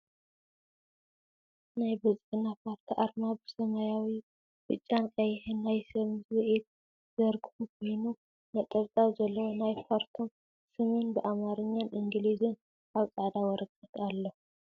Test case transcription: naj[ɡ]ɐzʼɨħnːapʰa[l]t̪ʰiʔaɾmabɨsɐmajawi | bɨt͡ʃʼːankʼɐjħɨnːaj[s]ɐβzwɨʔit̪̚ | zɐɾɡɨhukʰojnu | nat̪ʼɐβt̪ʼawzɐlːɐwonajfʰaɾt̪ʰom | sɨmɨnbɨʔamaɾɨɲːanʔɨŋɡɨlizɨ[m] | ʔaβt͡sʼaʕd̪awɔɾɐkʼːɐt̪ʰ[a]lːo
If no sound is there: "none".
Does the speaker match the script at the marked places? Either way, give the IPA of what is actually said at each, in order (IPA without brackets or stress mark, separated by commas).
b, ɾ, s, n, a